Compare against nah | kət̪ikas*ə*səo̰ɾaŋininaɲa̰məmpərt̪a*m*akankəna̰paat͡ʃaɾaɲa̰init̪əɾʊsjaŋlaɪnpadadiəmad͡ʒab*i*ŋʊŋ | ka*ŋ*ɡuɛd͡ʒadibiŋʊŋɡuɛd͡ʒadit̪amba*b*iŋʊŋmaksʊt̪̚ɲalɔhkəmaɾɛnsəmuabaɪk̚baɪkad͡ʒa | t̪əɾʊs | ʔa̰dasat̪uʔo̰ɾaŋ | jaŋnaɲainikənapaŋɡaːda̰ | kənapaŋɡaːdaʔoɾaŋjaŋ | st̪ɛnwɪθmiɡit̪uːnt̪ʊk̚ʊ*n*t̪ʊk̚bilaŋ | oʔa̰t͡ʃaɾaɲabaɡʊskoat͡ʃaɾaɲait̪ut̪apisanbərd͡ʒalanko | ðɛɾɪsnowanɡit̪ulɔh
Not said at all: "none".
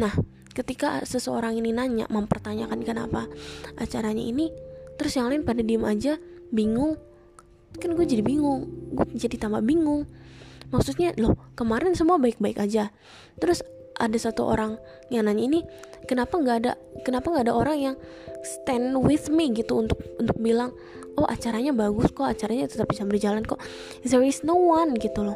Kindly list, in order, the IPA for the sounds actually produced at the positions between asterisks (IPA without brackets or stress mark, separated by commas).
ə, ɲ, i, n, b, n